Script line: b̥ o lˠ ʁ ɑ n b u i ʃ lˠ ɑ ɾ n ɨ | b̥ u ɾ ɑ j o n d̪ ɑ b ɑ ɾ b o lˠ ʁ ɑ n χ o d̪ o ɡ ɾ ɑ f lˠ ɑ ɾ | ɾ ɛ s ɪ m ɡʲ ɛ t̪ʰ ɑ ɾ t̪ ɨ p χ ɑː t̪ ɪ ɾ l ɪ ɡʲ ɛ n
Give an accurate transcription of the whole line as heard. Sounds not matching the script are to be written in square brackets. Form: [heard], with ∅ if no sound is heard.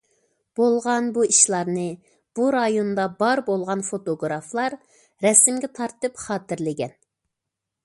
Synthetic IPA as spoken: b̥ o lˠ ʁ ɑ n b u i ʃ lˠ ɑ ɾ n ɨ | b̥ u ɾ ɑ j o n d̪ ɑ b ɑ ɾ b o lˠ ʁ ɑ n [f] o [t̪] o ɡ ɾ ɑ f lˠ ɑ ɾ | ɾ ɛ s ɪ m ɡʲ ɛ t̪ʰ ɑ ɾ t̪ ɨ p χ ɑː t̪ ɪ ɾ l ɪ ɡʲ ɛ n